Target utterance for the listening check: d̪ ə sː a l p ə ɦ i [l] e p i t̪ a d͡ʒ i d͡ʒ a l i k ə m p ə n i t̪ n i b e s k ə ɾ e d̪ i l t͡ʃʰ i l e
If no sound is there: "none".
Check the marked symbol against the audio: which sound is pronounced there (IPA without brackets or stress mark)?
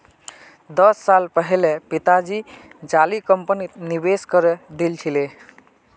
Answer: l